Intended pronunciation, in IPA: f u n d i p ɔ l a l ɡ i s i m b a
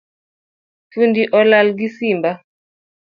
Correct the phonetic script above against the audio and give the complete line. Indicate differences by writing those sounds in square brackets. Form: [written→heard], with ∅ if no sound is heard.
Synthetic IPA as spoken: f u n d i [p→ʔ] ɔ l a l ɡ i s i m b a

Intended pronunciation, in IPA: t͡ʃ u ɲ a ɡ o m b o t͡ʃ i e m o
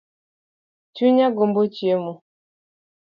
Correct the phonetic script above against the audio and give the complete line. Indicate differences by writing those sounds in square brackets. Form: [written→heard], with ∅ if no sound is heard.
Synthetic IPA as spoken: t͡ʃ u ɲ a ɡ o m b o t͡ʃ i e m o

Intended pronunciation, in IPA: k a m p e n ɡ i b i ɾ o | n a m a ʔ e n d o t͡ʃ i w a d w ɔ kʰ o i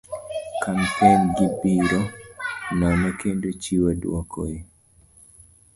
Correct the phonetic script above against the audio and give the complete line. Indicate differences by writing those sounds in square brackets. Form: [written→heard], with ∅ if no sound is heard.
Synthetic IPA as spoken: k a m p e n ɡ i b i ɾ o | n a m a [ʔ→k] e n d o t͡ʃ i w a d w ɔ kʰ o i

